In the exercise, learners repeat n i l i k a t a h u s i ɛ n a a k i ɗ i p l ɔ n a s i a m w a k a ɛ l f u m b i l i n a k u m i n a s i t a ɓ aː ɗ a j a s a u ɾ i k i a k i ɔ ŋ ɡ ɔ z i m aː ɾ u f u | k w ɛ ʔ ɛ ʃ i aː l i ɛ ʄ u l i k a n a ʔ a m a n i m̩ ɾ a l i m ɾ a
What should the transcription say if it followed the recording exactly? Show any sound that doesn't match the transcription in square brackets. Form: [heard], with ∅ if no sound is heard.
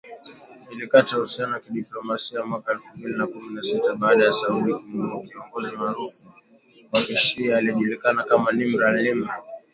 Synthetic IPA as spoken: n i l i k a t a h u s i [a] n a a k i ɗ i p l ɔ [m] a s i a m w a k a ɛ l f u m b i l i n a k u m i n a s i t a ɓ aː ɗ a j a s a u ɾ i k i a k i ɔ ŋ ɡ ɔ z i m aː ɾ u f u | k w [a] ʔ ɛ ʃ i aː l i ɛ ʄ u l i k a n a [k] a m a n i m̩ ɾ a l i m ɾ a